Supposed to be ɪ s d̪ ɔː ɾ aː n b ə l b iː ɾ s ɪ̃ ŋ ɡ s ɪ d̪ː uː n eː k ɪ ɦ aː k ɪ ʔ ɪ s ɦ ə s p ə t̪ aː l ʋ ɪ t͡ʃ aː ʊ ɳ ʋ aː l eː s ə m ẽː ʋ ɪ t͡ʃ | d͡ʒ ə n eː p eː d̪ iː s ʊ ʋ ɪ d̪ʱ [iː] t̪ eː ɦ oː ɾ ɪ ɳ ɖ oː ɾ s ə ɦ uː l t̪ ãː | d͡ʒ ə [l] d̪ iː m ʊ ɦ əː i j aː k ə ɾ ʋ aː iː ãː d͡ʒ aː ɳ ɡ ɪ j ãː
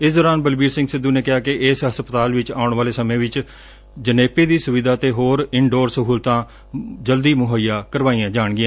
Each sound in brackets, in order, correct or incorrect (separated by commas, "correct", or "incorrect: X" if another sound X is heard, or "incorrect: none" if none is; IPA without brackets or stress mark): incorrect: aː, correct